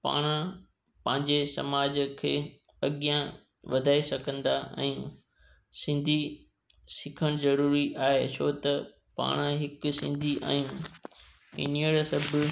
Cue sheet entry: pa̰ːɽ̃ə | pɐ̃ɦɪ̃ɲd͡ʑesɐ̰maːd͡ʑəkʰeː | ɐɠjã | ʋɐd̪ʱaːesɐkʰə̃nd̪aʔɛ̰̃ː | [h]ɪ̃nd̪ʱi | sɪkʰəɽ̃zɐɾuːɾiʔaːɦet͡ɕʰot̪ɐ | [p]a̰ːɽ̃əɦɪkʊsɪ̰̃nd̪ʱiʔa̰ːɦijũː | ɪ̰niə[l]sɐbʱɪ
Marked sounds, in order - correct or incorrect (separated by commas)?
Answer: incorrect, correct, incorrect